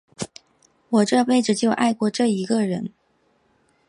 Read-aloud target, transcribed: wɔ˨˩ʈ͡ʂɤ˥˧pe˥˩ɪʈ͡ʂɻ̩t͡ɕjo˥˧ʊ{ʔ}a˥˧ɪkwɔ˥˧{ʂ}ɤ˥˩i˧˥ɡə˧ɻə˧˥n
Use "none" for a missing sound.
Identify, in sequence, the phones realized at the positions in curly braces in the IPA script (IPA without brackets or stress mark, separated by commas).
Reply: ʔ, ʈ͡ʂ